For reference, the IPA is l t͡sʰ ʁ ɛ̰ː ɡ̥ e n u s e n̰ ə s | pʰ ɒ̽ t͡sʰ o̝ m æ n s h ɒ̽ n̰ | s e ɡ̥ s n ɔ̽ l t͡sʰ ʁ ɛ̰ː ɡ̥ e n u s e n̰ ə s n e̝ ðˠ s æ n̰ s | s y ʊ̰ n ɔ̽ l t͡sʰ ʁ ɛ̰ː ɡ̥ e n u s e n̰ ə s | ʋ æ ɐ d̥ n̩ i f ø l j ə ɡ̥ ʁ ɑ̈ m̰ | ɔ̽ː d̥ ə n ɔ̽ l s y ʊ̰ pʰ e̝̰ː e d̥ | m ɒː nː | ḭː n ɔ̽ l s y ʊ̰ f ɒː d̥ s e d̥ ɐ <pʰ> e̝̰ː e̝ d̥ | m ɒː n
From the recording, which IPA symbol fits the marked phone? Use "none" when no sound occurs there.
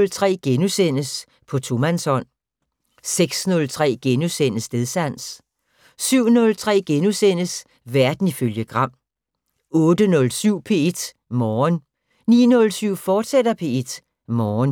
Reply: pʰ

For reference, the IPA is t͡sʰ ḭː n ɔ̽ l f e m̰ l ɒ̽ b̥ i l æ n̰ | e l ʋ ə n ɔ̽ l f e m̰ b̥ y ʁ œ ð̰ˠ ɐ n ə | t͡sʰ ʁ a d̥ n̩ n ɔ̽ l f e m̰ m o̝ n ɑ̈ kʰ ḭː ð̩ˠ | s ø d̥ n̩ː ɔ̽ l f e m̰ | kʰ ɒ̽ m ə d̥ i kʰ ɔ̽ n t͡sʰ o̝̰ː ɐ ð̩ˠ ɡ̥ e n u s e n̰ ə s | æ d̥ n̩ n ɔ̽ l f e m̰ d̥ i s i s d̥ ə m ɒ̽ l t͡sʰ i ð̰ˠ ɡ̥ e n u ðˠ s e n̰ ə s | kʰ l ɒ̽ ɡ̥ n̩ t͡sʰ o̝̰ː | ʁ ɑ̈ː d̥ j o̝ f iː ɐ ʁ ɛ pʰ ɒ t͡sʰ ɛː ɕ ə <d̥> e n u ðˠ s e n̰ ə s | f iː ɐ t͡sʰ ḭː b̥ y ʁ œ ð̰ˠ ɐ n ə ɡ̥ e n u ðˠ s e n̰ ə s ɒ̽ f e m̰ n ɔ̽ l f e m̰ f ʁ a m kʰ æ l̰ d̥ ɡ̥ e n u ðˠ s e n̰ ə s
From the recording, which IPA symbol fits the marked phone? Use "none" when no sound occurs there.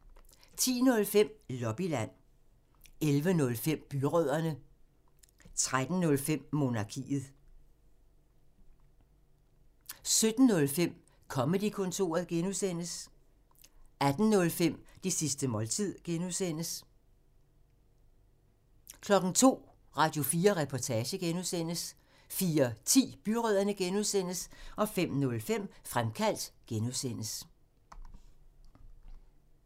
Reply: ɡ̥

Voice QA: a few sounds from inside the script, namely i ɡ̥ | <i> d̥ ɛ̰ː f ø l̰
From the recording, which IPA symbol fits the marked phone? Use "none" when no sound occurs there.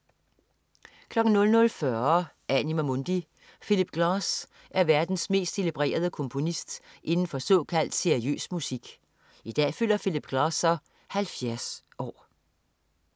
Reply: i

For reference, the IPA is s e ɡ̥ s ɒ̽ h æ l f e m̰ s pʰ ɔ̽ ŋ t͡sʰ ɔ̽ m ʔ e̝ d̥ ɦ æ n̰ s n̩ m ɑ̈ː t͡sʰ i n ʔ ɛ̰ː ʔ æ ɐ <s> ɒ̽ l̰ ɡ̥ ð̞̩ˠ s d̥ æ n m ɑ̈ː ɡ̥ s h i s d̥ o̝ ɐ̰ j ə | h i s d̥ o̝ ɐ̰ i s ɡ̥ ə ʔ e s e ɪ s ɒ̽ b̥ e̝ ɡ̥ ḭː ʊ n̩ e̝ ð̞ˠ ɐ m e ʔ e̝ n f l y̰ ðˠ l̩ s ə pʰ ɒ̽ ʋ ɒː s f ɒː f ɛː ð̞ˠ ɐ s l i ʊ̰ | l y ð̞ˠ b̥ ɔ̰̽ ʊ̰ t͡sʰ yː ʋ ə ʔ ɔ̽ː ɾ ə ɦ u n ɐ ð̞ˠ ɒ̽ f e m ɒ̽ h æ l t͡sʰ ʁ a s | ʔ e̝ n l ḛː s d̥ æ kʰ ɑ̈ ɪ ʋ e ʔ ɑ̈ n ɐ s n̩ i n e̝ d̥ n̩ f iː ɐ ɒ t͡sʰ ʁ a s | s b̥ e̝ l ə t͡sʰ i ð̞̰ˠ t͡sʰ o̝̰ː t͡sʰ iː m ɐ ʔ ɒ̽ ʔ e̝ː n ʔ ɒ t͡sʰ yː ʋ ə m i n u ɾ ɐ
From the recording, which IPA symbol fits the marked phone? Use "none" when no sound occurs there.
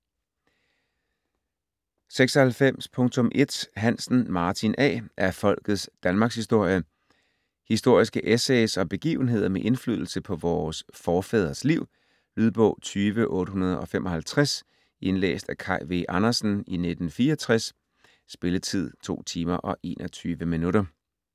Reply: f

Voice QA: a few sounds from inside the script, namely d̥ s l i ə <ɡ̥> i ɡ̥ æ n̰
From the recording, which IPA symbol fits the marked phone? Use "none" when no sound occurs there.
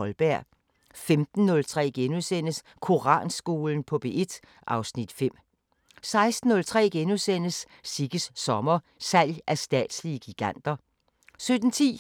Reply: ɡ̥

